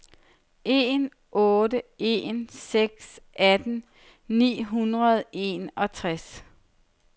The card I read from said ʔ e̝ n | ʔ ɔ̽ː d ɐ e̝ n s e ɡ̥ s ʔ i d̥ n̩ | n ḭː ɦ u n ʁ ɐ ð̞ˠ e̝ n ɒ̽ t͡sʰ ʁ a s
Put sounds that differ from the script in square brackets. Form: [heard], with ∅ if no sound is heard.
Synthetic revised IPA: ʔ e̝ n | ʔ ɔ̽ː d [ə] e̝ n s e ɡ̥ s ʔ [æ] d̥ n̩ | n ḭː ɦ u n ʁ ɐ ð̞ˠ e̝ n ɒ̽ t͡sʰ ʁ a s

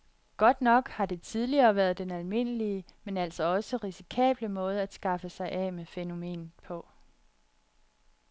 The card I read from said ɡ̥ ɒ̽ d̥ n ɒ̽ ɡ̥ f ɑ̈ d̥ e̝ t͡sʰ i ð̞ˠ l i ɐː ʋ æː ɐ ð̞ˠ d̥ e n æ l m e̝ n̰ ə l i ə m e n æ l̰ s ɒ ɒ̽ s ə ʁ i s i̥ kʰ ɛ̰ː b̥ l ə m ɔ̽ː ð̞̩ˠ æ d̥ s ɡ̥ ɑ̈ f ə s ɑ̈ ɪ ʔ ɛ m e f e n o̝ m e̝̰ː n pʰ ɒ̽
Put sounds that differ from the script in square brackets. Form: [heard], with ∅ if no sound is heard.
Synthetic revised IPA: ɡ̥ ɒ̽ d̥ n ɒ̽ ɡ̥ [h] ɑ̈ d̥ e̝ t͡sʰ i ð̞ˠ l i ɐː ʋ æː ɐ ð̞ˠ d̥ e n æ l m e̝ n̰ ə l i ə m e n æ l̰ s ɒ ɒ̽ s ə ʁ i s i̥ kʰ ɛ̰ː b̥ l ə m ɔ̽ː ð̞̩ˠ æ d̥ s ɡ̥ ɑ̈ f ə s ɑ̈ ɪ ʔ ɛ m e f e n o̝ m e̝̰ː n pʰ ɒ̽

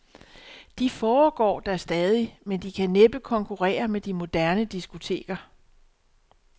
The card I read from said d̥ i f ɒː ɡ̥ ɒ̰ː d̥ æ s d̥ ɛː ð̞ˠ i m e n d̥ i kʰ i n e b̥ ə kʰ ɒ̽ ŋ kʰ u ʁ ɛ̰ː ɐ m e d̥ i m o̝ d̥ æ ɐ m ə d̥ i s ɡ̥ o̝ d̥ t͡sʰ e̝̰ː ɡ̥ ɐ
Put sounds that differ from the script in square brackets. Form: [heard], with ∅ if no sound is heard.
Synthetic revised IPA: d̥ i f ɒː ɡ̥ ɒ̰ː d̥ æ s d̥ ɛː ð̞ˠ i m e n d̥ i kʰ [æ] n e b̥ ə kʰ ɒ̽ ŋ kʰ u ʁ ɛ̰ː ɐ m e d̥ i m o̝ d̥ æ ɐ [n] ə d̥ i s ɡ̥ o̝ [∅] t͡sʰ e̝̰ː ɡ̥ ɐ

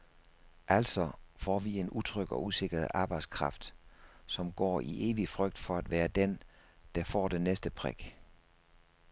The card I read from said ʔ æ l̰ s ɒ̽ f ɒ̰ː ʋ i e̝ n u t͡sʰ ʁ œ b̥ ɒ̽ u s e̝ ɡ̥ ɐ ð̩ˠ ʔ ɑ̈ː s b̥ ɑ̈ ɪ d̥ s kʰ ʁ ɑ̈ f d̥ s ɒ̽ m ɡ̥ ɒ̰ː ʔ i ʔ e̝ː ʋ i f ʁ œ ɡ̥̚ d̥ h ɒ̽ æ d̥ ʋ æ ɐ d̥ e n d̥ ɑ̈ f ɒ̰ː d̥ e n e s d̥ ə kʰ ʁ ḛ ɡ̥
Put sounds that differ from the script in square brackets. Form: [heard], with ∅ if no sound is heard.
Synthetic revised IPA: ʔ æ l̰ s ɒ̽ f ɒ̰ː ʋ i e̝ n u t͡sʰ ʁ œ [ɡ̥] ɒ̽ u s e̝ ɡ̥ ɐ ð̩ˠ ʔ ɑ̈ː [∅] b̥ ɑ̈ ɪ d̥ s kʰ ʁ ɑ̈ f d̥ s ɒ̽ m ɡ̥ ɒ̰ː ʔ i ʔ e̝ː ʋ i f ʁ œ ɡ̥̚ d̥ [f] ɒ̽ æ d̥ ʋ [æː] ɐ d̥ e n d̥ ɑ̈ f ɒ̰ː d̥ e n e s d̥ ə [pʰ] ʁ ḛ ɡ̥

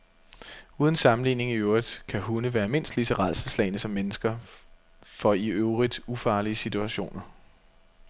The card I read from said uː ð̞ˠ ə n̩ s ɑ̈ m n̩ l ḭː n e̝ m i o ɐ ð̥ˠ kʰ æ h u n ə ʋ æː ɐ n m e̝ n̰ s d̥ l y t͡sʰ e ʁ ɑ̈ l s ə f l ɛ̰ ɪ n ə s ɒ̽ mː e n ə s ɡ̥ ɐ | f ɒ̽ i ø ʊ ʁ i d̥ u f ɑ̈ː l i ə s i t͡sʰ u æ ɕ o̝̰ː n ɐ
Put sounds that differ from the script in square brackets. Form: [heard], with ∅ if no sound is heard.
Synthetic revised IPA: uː ð̞ˠ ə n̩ s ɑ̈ m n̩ l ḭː n e̝ [ŋ] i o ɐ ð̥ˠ kʰ æ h u n ə ʋ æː ɐ [∅] m e̝ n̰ s d̥ l [i] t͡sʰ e ʁ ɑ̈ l s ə [s] l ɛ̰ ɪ n ə s ɒ̽ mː e n ə s ɡ̥ ɐ | f ɒ̽ i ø ʊ ʁ i d̥ u f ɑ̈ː l i ə s i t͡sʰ u æ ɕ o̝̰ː n ɐ

